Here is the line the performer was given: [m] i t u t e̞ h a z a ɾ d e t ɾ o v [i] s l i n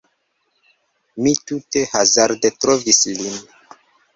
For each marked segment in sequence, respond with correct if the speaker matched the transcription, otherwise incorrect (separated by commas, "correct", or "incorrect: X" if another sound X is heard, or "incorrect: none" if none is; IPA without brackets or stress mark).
correct, correct